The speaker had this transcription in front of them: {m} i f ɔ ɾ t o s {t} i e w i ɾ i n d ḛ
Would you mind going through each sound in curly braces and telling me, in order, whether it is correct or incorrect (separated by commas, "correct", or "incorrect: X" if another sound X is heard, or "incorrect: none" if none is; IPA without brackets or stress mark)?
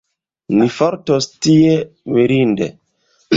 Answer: incorrect: n, correct